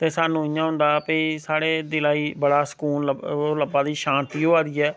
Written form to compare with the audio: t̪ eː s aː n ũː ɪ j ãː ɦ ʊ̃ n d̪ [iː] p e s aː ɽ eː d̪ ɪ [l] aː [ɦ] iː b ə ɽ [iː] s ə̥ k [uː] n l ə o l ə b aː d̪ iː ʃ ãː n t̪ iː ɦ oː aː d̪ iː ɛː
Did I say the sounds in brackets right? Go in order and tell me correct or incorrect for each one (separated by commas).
incorrect, correct, incorrect, incorrect, correct